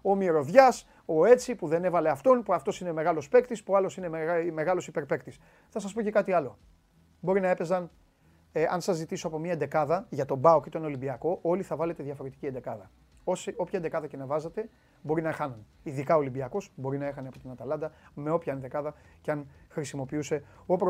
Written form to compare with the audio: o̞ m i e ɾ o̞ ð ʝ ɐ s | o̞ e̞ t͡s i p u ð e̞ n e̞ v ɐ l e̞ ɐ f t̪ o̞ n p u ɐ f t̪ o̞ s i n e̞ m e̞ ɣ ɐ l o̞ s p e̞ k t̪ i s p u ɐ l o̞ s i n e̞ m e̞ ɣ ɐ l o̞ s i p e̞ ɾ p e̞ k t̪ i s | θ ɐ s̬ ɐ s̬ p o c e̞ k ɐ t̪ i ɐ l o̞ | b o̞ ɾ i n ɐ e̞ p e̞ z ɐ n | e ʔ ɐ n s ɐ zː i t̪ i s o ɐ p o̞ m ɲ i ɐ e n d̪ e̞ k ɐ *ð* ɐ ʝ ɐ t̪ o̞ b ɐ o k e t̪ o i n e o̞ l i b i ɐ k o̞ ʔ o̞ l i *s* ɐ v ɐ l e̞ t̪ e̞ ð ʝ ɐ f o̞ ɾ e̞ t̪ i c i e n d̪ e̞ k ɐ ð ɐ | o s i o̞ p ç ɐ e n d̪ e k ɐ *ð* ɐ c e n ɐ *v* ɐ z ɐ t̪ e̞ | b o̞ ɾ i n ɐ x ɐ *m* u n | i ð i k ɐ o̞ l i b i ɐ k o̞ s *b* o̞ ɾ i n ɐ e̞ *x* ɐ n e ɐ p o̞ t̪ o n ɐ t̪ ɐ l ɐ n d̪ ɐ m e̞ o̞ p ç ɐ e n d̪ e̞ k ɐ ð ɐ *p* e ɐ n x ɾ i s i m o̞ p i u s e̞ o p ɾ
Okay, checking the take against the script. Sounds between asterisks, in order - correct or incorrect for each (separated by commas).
correct, incorrect, correct, correct, incorrect, correct, correct, incorrect